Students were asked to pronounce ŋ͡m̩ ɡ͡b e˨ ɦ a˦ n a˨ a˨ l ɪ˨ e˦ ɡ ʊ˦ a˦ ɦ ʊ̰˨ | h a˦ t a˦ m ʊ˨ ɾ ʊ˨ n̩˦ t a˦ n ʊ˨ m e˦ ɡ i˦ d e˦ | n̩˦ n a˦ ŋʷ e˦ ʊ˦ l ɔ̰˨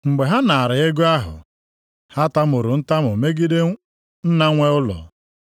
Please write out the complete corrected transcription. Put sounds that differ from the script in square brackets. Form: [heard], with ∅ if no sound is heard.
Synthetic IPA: ŋ͡m̩ ɡ͡b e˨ ɦ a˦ n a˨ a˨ [ɾ] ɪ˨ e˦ ɡ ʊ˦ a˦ ɦ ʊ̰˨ | h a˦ t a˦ m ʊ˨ ɾ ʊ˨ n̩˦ t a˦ [m] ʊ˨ m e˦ ɡ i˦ d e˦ | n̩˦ n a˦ ŋʷ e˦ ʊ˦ l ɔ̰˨